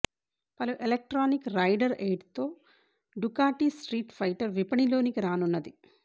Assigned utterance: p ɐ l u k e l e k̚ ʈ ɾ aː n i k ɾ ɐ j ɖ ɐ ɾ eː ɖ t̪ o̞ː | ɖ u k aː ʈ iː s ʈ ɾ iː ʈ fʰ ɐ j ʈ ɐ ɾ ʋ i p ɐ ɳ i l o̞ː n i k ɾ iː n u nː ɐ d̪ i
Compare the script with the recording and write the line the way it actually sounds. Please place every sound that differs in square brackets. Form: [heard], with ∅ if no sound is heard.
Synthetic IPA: p ɐ l u [ʔ] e l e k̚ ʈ ɾ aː n i k ɾ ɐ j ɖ ɐ ɾ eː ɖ t̪ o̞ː | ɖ u k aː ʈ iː s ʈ ɾ iː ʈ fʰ ɐ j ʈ ɐ ɾ ʋ i p ɐ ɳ i l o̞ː n i k ɾ [aː] n u nː ɐ d̪ i